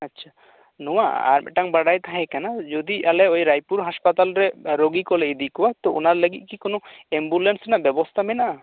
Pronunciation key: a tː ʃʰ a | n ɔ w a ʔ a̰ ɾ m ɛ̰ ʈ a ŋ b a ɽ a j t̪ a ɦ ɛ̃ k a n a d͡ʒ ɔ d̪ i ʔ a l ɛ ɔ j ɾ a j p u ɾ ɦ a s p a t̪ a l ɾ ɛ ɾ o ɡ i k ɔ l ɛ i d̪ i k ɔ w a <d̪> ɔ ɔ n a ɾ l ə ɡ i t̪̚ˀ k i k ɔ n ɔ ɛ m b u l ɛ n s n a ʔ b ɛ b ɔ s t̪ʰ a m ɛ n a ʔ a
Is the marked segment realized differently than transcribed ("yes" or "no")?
yes